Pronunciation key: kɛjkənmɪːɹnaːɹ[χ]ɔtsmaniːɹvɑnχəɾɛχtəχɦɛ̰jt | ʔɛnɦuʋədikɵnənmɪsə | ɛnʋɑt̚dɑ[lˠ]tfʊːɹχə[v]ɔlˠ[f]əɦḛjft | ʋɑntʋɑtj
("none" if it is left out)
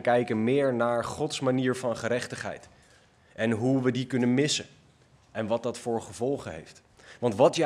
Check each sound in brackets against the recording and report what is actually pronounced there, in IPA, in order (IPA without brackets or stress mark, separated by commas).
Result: χ, none, v, χ